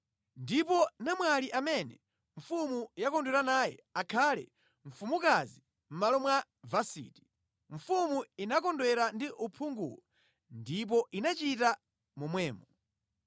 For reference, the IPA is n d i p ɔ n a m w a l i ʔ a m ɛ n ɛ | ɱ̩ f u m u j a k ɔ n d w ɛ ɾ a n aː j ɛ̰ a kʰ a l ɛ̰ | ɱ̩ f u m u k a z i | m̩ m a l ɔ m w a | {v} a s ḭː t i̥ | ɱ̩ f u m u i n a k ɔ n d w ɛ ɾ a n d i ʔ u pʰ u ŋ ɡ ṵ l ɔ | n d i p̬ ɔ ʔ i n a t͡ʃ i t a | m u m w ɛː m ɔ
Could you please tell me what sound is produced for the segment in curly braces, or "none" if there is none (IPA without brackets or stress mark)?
v